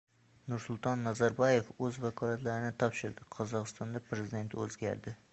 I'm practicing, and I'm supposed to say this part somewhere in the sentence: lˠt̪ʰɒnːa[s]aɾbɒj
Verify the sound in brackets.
incorrect: z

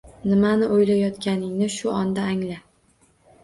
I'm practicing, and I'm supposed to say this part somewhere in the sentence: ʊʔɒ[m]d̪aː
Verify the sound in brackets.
incorrect: n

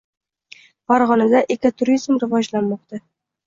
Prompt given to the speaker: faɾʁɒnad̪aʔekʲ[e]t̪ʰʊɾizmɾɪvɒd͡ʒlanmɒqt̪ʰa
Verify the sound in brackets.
incorrect: a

